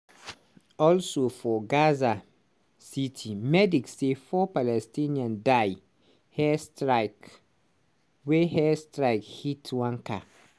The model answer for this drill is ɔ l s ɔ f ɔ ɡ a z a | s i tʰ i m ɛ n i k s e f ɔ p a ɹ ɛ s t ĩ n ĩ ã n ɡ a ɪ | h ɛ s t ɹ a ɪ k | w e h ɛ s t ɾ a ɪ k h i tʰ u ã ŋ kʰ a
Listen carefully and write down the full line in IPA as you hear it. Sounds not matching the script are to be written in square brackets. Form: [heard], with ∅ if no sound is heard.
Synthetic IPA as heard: ɔ l s [o] f ɔ ɡ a z a | s i tʰ i m ɛ [d] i k s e f ɔ p a [l] ɛ s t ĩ n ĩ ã n [d] a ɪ | h ɛ s t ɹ a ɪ k | w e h ɛ s t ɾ a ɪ k h i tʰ [w] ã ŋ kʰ a